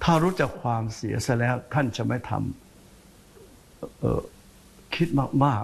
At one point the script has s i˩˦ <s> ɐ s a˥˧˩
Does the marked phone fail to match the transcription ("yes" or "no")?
yes